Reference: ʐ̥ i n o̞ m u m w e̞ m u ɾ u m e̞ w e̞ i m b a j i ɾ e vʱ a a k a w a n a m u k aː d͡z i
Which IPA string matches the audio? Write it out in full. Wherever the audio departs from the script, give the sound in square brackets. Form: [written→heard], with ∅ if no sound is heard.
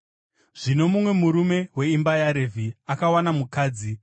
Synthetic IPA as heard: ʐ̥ i n o̞ m u m w e̞ m u ɾ u m e̞ w e̞ i m b a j [i→a] ɾ e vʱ [a→i] a k a w a n a m u k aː d͡z i